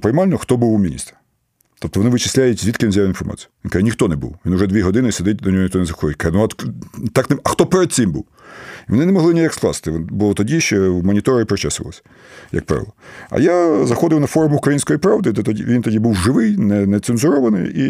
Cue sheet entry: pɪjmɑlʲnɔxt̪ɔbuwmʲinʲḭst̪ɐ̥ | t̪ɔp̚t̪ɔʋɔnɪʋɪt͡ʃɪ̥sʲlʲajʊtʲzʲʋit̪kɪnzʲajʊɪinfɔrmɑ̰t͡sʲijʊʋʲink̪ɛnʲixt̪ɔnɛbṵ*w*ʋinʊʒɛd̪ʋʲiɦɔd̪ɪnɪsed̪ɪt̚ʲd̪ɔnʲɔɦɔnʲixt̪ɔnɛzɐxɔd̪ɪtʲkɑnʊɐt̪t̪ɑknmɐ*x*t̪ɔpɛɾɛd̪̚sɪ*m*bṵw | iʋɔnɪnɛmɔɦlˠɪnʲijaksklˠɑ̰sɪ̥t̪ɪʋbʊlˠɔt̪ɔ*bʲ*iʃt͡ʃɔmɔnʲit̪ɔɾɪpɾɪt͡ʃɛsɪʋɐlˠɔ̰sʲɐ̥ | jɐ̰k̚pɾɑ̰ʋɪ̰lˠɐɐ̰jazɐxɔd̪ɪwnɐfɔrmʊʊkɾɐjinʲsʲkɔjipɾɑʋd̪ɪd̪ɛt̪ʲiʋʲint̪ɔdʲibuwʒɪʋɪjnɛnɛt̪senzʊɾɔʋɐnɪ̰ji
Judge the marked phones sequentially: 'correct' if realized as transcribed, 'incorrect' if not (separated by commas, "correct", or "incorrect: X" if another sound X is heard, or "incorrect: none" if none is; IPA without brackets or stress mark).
correct, correct, correct, incorrect: dʲ